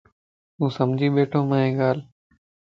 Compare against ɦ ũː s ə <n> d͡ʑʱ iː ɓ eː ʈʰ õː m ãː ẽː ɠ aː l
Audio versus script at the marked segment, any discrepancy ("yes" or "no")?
yes